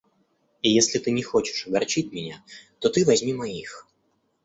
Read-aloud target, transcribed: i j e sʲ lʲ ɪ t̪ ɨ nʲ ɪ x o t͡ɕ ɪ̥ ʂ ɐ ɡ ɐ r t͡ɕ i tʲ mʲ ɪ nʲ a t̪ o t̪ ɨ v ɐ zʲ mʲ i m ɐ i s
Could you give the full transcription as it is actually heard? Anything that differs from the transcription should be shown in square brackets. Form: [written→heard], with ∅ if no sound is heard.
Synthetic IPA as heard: i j e sʲ lʲ ɪ t̪ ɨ nʲ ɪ x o t͡ɕ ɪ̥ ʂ ɐ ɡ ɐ r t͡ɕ i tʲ mʲ ɪ nʲ a t̪ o t̪ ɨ v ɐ zʲ mʲ i m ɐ i [s→x]